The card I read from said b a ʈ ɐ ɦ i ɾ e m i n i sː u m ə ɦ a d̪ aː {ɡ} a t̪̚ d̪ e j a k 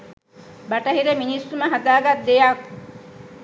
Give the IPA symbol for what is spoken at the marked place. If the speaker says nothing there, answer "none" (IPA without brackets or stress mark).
ɡ